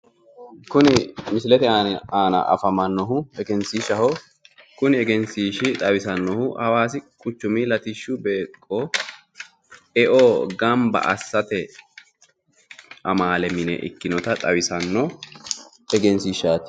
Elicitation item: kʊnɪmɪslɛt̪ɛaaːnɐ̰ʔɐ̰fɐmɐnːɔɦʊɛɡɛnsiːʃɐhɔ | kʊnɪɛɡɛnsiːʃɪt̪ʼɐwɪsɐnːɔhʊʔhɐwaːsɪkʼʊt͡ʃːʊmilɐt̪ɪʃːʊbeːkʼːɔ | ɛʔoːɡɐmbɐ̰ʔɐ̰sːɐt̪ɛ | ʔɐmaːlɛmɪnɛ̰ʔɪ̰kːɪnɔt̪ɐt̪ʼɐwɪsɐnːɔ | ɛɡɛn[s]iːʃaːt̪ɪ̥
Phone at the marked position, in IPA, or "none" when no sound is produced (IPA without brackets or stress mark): s